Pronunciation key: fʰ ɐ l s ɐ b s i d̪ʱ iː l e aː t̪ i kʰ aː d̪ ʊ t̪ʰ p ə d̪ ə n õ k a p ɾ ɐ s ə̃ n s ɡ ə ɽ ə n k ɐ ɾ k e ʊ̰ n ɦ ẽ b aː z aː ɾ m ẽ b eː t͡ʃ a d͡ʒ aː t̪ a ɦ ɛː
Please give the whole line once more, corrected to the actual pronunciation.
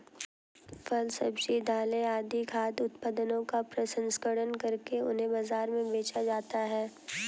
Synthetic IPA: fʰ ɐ l s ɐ b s i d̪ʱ aː l e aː d̪ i kʰ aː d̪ ʊ t̪ p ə d̪ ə n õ k a p ɾ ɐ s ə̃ n s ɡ ə ɽ ə n k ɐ ɾ k e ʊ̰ n ɦ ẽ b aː z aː ɾ m ẽ b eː t͡ʃ a d͡ʒ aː t̪ a ɦ ɛː

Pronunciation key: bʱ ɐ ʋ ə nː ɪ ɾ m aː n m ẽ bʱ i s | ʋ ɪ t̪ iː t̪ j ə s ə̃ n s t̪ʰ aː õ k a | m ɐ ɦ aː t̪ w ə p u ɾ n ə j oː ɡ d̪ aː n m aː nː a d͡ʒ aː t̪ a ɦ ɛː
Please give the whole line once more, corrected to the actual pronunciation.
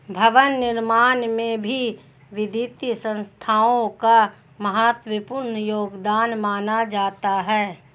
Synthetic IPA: bʱ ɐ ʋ ə nː ɪ ɾ m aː n m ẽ bʱ i | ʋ ɪ d̪ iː t̪ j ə s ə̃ n s t̪ʰ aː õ k a | m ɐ ɦ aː t̪ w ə p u ɾ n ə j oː ɡ d̪ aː n m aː n a d͡ʒ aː t̪ a ɦ ɛː

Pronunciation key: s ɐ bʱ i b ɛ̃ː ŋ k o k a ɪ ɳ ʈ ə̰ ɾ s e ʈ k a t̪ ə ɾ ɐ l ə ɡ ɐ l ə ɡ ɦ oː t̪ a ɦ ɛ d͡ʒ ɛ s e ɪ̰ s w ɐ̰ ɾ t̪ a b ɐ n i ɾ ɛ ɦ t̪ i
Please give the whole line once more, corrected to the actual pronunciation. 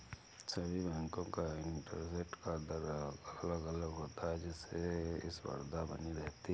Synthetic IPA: s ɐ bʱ i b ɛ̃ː ŋ k õ k a ɪ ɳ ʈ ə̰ ɾ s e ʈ k a d̪ ə ɾ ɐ l ə ɡ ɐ l ə ɡ ɦ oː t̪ a ɦ ɛ d͡ʒ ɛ s e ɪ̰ s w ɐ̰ ɾ d̪ a b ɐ n i ɾ ɛ ɦ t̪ i

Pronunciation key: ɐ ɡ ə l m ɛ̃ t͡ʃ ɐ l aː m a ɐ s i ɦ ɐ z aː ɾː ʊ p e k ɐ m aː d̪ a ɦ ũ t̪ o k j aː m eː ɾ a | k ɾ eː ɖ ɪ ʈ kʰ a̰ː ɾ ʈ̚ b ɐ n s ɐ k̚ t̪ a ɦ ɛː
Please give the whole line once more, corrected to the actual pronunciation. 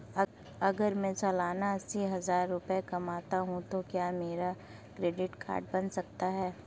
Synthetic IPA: ɐ ɡ ə ɾ m ɛ̃ t͡ʃ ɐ l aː n a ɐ s i ɦ ɐ z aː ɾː ʊ p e k ɐ m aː t̪ a ɦ ũ t̪ o k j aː m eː ɾ a | k ɾ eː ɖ ɪ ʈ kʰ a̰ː ɾ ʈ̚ b ɐ n s ɐ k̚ t̪ a ɦ ɛː

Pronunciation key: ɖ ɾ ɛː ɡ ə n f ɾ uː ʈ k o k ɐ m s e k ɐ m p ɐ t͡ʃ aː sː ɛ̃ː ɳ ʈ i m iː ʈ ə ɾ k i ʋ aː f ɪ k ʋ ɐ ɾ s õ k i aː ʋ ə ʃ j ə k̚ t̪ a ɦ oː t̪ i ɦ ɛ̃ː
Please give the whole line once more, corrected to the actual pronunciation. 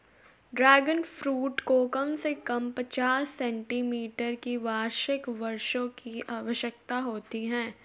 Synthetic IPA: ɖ ɾ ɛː ɡ ə n f ɾ uː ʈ k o k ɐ m s e k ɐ m p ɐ t͡ʃ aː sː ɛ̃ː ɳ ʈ i m iː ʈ ə ɾ k i ʋ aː ʃ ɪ k ʋ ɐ ɾ ʃ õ k i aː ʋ ə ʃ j ə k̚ t̪ a ɦ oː t̪ i ɦ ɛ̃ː

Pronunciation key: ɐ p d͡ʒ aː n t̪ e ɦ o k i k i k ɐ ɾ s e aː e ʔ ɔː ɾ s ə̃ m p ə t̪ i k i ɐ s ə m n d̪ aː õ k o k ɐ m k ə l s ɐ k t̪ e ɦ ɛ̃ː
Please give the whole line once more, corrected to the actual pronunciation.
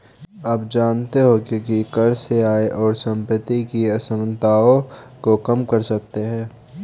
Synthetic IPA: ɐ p d͡ʒ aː n t̪ e ɦ o k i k i k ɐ ɾ s e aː e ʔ ɔː ɾ s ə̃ m p ə t̪ i k i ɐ s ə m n t̪ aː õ k o k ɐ m k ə ɾ s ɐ k t̪ e ɦ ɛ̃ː

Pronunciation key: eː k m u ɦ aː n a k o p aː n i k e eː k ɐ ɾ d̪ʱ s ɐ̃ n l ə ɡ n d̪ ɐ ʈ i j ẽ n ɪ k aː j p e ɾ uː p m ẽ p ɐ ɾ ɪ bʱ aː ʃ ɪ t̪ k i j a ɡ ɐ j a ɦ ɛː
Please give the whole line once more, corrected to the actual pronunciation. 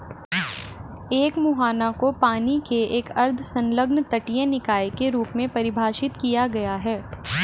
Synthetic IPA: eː k m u ɦ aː n a k o p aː n i k e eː k ɐ ɾ d̪ʱ s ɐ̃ n l ə ɡ n t̪ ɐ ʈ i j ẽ n ɪ k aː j k e ɾ uː p m ẽ p ɐ ɾ ɪ bʱ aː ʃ ɪ t̪ k i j a ɡ ɐ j a ɦ ɛː

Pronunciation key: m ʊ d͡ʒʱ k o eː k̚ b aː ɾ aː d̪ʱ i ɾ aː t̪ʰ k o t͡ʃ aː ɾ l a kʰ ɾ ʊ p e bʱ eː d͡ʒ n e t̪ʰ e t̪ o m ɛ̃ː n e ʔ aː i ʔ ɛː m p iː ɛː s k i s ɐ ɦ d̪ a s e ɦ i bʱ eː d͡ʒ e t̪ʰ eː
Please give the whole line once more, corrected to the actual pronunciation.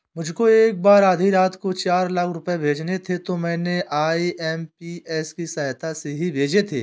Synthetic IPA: m ʊ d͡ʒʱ k o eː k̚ b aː ɾ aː d̪ʱ i ɾ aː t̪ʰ k o t͡ʃ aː ɾ l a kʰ ɾ ʊ p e bʱ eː d͡ʒ n e t̪ʰ e t̪ o m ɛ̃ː n e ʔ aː i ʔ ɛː m p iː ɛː s k i s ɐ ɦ t̪ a s e ɦ i bʱ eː d͡ʒ e t̪ʰ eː

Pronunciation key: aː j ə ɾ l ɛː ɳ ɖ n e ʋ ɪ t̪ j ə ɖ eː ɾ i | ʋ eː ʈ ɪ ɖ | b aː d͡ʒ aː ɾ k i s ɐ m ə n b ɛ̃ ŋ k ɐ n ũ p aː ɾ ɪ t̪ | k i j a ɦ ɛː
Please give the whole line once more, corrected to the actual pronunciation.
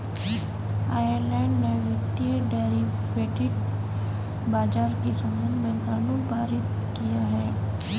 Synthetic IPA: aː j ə ɾ l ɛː ɳ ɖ n e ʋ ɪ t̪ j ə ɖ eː ɾ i | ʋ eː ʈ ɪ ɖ | b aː d͡ʒ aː ɾ k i s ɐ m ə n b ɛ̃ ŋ k a n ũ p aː ɾ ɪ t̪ | k i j a ɦ ɛː

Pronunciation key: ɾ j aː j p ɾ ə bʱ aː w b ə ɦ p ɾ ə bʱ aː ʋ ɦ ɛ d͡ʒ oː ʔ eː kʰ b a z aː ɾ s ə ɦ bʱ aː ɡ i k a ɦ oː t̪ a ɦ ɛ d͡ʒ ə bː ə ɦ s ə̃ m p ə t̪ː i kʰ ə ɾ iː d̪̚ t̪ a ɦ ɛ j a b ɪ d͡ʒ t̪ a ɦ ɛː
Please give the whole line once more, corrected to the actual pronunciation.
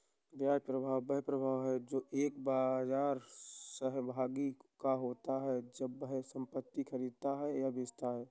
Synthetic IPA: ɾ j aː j p ɾ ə bʱ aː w b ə ɦ p ɾ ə bʱ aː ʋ ɦ ɛ d͡ʒ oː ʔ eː k b a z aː ɾ s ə ɦ bʱ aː ɡ i k a ɦ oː t̪ a ɦ ɛ d͡ʒ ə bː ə ɦ s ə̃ m p ə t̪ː i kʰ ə ɾ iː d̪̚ t̪ a ɦ ɛ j a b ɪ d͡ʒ t̪ a ɦ ɛː

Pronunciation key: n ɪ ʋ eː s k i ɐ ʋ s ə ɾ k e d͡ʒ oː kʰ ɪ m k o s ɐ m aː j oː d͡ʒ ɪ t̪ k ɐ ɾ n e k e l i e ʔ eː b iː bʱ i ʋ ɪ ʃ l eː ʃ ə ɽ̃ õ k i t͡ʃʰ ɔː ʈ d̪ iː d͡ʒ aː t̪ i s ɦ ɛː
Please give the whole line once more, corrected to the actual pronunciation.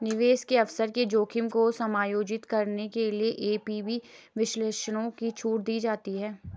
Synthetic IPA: n ɪ ʋ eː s k e ɐ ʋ s ə ɾ k e d͡ʒ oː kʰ ɪ m k o s ɐ m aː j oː d͡ʒ ɪ t̪ k ɐ ɾ n e k e l i e ʔ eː p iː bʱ i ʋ ɪ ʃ l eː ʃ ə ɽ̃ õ k i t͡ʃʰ uː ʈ d̪ iː d͡ʒ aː t̪ i ɦ ɛː

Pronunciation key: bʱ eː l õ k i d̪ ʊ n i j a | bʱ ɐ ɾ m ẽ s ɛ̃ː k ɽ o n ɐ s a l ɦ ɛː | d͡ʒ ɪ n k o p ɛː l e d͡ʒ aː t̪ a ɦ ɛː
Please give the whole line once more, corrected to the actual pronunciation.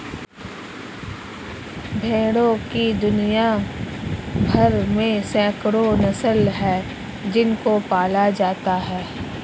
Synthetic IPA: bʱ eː ɽ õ k i d̪ ʊ n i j a | bʱ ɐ ɾ m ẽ s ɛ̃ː k ɽ o n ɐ s ə l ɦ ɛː | d͡ʒ ɪ n k o p aː l a d͡ʒ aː t̪ a ɦ ɛː

